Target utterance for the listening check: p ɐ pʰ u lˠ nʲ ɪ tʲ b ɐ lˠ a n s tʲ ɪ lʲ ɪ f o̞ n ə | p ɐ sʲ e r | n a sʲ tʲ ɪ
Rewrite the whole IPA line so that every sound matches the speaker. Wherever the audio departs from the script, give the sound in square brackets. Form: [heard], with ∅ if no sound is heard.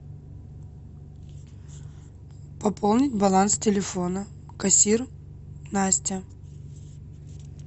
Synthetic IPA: p ɐ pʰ [o] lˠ nʲ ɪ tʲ b ɐ lˠ a n s tʲ ɪ lʲ ɪ f o̞ n ə | [k] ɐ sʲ [i] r | n a sʲ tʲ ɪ